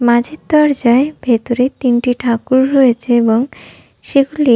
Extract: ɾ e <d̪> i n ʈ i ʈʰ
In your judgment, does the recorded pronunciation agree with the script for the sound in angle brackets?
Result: no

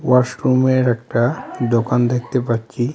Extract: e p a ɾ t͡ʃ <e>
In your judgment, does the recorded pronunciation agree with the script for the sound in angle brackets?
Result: no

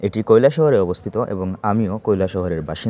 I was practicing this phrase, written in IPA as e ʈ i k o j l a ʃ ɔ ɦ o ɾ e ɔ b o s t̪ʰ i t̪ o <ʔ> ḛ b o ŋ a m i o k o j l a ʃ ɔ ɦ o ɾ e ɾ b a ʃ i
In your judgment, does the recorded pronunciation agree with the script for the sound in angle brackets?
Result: yes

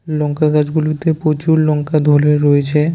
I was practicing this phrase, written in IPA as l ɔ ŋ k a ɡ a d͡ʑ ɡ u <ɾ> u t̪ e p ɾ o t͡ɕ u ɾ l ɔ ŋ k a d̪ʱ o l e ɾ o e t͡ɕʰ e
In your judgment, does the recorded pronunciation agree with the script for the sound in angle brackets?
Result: no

